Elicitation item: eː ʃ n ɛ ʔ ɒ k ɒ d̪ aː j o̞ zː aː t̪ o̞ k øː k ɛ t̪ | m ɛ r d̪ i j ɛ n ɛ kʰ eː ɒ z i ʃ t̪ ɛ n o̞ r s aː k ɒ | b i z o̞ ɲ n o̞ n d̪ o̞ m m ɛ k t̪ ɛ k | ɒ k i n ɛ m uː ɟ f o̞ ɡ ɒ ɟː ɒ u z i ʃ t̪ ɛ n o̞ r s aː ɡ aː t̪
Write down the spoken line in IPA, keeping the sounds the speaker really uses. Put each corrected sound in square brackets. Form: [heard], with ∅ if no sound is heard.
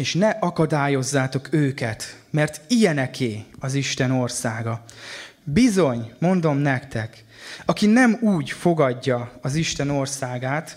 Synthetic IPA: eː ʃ n ɛ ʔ ɒ k ɒ d̪ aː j o̞ zː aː t̪ o̞ k øː k ɛ t̪ | m ɛ r [t̪] i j ɛ n ɛ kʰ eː ɒ z i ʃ t̪ ɛ n o̞ r s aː [ɡ] ɒ | b i z o̞ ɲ [m] o̞ n d̪ o̞ m [n] ɛ k t̪ ɛ k | ɒ k i n ɛ m uː ɟ f o̞ ɡ ɒ ɟː ɒ [ɒ] z i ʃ t̪ ɛ n o̞ r s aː ɡ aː t̪